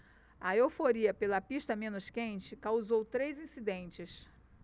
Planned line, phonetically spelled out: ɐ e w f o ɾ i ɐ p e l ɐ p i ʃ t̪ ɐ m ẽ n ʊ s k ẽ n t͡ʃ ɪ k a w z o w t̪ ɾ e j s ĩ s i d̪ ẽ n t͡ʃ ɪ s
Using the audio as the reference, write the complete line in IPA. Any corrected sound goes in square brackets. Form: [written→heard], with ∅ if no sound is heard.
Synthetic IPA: ɐ e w f o ɾ i ɐ p e l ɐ p i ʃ t̪ ɐ m ẽ n ʊ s k ẽ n t͡ʃ ɪ k a w z o w t̪ ɾ e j [s→z] ĩ s i d̪ ẽ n t͡ʃ ɪ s